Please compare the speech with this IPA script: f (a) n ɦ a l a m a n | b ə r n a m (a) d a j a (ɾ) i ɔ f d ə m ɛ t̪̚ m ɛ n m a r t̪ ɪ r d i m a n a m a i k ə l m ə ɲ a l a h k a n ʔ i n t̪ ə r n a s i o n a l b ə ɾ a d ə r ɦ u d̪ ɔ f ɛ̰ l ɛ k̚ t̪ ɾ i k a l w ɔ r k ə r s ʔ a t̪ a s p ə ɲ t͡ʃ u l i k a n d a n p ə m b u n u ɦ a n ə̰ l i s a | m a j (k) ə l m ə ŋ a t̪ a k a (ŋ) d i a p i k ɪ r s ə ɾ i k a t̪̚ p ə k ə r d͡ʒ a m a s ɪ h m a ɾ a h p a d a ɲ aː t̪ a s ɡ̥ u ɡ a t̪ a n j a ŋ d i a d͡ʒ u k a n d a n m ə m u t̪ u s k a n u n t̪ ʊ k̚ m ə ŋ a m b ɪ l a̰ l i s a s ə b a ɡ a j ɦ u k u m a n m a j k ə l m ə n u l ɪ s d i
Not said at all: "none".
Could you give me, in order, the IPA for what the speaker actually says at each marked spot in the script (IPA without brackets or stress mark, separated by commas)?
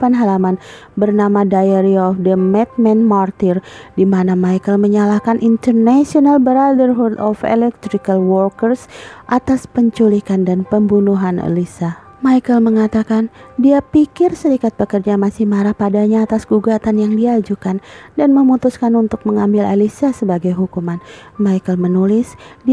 a, a, ɾ, k, n